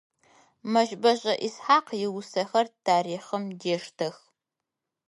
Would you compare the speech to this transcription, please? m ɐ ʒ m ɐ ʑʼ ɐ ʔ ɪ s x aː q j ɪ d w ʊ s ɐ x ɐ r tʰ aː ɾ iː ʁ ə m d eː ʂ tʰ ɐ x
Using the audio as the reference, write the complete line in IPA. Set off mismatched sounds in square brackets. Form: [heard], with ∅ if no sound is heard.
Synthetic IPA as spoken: m ɐ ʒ [b] ɐ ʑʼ ɐ ʔ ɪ s [ħ] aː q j ɪ [∅] w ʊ s ɐ x ɐ r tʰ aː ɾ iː [χ] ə m d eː ʂ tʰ ɐ x